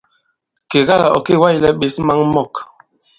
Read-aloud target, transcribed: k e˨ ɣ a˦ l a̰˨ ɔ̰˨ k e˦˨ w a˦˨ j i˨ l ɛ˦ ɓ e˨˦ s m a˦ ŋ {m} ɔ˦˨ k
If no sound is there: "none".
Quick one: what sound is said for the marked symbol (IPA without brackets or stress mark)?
m